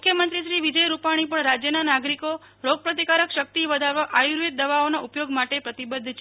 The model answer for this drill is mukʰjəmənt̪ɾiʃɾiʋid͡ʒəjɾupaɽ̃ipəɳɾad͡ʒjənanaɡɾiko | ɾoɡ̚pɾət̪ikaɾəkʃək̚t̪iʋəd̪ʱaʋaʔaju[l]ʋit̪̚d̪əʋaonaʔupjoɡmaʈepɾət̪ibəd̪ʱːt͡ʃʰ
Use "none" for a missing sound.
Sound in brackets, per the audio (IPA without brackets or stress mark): ɾ